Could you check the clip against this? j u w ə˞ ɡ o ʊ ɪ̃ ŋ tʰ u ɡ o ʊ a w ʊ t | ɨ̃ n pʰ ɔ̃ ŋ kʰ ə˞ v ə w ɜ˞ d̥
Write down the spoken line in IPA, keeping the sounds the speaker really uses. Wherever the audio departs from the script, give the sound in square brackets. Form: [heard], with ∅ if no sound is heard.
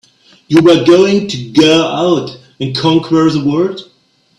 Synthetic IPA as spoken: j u w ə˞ ɡ o ʊ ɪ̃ ŋ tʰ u ɡ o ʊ a [∅] ʊ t | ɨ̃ n [kʰ] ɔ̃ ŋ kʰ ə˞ [ð] ə w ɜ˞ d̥